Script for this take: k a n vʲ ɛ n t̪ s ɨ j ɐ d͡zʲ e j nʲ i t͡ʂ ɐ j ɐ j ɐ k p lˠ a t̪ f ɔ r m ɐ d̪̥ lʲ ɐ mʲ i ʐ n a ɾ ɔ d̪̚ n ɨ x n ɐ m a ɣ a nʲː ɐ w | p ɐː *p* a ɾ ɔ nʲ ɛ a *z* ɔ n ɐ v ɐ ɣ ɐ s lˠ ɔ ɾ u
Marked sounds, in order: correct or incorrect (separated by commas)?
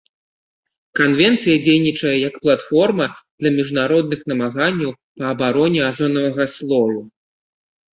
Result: incorrect, correct